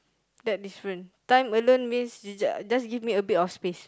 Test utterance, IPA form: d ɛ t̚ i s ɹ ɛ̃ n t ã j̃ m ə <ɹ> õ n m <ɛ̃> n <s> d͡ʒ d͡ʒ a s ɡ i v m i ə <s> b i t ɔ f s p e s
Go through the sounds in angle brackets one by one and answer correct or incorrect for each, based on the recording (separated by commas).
incorrect, incorrect, correct, incorrect